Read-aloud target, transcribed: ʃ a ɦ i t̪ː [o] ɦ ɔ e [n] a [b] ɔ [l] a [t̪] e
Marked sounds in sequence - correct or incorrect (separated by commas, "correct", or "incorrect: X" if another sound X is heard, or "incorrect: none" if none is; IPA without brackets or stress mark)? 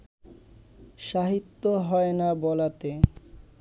correct, correct, correct, correct, correct